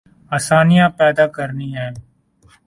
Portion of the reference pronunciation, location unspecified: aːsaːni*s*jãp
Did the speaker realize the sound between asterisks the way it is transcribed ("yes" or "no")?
no